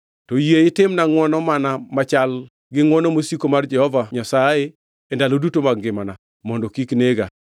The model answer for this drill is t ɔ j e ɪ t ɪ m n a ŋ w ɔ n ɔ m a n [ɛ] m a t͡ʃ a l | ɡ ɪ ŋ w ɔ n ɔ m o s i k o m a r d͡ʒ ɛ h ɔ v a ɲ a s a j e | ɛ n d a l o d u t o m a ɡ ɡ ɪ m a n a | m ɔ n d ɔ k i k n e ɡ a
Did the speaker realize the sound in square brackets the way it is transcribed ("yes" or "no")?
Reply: no